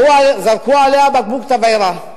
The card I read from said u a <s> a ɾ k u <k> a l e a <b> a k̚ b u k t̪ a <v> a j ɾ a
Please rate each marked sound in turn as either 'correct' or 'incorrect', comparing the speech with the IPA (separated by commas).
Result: incorrect, incorrect, correct, correct